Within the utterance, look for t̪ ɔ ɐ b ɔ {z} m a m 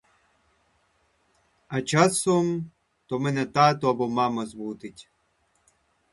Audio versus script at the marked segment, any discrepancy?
yes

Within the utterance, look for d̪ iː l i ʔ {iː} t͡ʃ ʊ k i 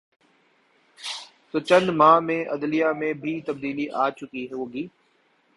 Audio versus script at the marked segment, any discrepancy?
yes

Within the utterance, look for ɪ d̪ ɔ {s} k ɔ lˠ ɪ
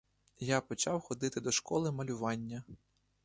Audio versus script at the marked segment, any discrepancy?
yes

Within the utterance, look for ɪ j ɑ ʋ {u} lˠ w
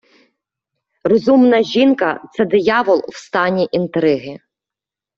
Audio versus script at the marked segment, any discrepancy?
yes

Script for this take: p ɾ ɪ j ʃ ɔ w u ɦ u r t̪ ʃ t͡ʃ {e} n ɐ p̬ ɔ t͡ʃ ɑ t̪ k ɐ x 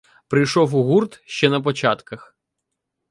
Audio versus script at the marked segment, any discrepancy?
yes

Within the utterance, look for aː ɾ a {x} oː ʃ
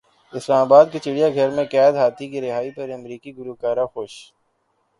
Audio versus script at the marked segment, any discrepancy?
no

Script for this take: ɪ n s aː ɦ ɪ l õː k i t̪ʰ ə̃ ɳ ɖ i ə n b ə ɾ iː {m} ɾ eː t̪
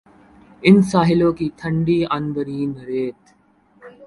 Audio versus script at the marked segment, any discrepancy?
yes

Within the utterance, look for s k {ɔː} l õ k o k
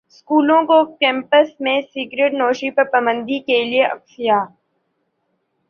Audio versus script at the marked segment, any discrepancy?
yes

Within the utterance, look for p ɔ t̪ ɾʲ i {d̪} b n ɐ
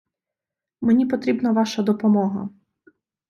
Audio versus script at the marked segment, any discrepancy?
yes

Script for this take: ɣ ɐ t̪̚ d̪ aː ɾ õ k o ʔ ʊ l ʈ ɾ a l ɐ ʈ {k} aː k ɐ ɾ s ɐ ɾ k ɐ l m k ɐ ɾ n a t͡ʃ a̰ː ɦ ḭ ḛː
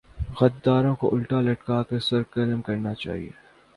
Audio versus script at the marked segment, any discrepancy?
no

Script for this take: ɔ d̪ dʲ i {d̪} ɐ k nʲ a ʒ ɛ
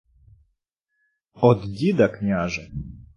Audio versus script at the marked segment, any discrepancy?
no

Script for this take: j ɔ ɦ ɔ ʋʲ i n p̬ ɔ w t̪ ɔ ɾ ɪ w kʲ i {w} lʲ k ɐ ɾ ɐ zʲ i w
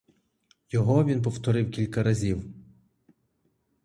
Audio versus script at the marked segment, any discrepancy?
yes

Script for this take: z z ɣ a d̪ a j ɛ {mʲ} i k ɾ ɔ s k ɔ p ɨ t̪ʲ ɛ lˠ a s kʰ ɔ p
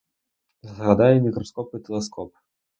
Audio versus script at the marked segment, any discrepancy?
no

